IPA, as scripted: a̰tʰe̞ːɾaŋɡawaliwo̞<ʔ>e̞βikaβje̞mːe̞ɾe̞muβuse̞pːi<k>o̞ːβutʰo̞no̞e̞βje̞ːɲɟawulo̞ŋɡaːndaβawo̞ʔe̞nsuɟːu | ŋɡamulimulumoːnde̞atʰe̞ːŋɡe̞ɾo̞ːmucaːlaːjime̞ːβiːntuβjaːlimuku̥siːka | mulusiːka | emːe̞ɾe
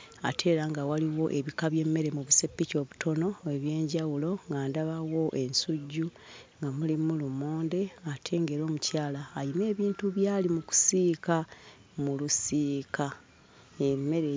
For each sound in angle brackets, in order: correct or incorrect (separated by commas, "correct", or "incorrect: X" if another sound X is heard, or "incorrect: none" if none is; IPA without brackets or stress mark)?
correct, incorrect: c